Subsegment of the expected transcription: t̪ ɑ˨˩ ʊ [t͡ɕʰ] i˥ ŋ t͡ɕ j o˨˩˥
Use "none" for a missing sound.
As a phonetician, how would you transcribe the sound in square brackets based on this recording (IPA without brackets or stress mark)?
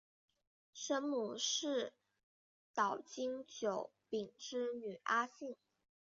t͡ɕ